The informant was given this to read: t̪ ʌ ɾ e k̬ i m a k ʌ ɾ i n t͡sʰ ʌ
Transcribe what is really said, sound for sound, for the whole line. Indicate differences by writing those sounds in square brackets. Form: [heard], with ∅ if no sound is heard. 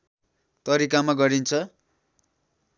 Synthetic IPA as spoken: t̪ ʌ ɾ [i] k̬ [a] m a [ɡ] ʌ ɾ i n t͡sʰ ʌ